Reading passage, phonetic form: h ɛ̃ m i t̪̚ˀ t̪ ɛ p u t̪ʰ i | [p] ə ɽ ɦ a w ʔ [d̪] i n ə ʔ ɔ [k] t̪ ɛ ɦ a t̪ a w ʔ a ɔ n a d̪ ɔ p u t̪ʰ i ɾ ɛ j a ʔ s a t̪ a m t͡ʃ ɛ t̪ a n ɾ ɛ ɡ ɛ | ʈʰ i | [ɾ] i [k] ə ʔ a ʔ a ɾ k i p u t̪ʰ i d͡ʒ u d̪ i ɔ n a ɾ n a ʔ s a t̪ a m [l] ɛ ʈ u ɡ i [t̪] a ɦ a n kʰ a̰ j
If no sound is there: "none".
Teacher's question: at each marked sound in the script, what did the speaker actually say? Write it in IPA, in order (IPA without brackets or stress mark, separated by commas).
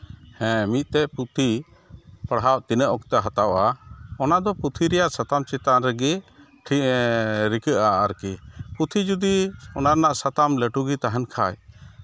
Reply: p, t̪, k, ɾ, k, l, t̪